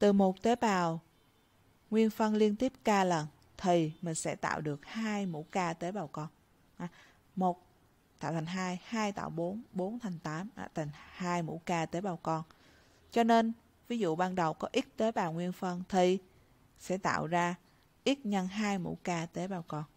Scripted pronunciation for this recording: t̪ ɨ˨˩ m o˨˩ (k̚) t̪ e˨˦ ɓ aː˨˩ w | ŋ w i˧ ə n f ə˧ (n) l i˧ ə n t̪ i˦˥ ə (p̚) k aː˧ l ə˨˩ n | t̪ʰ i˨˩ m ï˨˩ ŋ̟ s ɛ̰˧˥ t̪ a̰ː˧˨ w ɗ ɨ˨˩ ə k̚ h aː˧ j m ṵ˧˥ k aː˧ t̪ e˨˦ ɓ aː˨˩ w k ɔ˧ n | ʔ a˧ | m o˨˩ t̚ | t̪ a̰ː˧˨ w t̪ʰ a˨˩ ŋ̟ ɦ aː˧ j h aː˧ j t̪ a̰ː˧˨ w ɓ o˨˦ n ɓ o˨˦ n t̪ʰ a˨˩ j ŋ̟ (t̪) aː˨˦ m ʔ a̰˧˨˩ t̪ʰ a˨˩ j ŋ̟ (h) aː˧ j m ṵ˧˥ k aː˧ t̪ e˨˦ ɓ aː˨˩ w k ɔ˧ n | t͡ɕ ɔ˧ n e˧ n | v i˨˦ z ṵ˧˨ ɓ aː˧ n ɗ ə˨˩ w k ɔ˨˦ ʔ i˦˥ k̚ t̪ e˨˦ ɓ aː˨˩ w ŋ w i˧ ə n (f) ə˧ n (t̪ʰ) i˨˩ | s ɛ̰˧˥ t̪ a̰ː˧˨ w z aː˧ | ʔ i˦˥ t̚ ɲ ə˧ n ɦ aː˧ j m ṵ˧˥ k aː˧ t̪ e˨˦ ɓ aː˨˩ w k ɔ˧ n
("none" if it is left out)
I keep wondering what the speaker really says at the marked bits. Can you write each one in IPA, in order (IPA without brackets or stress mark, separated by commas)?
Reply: t̚, n, p̚, t̪, h, f, t̪ʰ